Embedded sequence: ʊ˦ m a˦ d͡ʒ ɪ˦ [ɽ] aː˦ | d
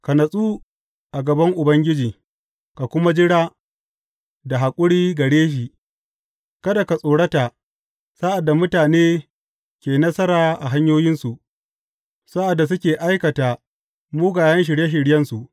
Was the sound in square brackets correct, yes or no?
yes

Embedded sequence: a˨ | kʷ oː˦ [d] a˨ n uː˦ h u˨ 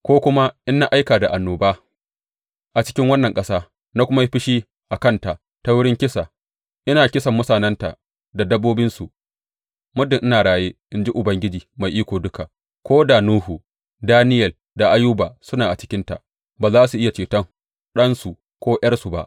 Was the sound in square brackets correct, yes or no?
yes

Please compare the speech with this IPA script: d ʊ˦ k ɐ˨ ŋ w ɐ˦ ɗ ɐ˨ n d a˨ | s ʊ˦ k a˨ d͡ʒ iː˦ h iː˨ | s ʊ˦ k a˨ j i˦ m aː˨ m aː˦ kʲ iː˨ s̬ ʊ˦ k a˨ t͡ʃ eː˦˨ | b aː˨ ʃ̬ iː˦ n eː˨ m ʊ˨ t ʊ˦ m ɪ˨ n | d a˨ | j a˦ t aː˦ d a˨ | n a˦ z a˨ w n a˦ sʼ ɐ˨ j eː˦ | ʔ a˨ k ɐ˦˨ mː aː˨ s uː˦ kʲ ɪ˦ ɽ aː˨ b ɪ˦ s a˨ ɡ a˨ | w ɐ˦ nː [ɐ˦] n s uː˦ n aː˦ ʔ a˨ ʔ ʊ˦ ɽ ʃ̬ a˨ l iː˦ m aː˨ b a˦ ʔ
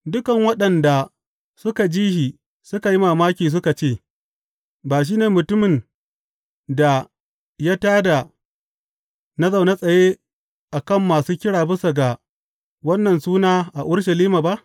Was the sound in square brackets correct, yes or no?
no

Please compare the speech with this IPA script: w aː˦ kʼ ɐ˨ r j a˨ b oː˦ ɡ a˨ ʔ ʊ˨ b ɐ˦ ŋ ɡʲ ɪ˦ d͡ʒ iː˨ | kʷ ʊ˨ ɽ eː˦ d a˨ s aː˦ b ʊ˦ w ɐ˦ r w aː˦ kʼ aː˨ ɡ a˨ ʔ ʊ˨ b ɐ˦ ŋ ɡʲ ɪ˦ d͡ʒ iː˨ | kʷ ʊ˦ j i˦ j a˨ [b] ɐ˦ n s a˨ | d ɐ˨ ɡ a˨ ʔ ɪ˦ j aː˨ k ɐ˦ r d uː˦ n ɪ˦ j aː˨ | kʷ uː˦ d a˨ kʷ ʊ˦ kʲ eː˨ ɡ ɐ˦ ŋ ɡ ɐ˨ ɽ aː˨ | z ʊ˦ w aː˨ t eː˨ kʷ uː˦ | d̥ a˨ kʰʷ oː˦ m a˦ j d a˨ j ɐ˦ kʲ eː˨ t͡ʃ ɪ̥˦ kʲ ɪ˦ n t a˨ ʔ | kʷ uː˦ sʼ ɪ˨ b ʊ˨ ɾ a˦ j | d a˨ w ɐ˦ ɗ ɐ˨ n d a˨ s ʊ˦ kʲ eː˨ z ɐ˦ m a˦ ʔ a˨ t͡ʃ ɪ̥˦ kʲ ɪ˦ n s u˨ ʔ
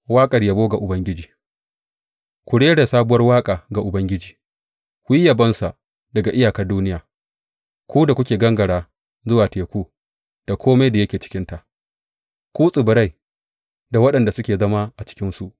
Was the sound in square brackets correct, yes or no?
yes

